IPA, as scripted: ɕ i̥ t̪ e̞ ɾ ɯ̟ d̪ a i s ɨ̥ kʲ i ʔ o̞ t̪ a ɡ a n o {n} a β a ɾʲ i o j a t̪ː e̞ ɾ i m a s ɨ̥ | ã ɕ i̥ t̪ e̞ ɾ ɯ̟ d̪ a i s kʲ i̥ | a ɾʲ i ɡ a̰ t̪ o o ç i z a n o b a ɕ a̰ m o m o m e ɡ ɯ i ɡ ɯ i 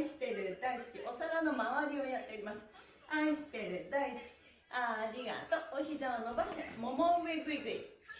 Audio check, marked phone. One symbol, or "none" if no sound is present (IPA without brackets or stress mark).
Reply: m